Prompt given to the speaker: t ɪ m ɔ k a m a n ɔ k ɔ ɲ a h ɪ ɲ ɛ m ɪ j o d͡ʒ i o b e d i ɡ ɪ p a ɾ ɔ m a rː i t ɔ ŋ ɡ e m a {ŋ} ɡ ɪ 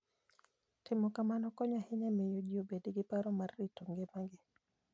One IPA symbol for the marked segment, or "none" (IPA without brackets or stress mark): ŋ